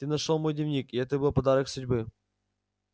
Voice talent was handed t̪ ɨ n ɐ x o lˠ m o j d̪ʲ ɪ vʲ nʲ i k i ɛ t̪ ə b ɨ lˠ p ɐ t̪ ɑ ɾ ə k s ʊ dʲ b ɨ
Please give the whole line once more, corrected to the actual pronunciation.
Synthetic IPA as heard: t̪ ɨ n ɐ ʂ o lˠ m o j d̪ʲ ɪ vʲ nʲ i k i ɛ t̪ ə b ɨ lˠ p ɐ d̪ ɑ ɾ ə k s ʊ dʲ b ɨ